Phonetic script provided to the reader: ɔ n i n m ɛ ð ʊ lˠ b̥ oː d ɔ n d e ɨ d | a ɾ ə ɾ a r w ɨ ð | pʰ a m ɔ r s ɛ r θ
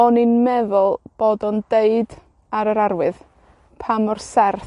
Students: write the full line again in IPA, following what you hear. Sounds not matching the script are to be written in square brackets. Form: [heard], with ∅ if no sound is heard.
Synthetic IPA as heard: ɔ n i n m ɛ ð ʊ lˠ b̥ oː d ɔ n d e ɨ d | a ɾ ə ɾ a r w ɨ ð | pʰ a m ɔ r s ɛ r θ